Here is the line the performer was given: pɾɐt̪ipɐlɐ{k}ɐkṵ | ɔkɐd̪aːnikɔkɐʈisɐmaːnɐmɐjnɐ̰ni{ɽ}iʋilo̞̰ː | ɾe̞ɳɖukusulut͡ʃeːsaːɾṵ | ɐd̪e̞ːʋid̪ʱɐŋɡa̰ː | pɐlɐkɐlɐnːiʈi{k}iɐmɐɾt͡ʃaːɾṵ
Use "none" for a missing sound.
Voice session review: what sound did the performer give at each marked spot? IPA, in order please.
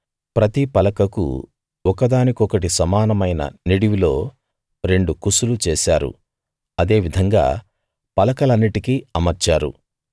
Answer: k, ɽ, k

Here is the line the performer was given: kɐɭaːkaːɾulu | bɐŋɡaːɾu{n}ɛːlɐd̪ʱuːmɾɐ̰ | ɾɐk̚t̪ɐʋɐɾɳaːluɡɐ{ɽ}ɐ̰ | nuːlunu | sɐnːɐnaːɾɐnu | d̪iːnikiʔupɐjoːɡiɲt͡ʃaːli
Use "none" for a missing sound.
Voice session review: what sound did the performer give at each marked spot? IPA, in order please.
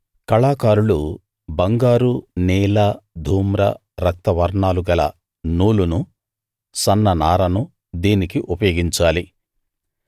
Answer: n, l

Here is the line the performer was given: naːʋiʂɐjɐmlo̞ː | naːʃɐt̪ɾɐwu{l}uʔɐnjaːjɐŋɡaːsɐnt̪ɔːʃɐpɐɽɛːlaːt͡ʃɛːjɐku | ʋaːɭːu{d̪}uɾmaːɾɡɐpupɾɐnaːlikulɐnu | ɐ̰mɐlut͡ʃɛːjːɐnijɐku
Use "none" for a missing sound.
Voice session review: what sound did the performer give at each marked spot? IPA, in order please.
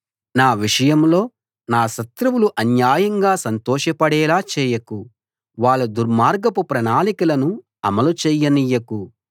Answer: l, d̪

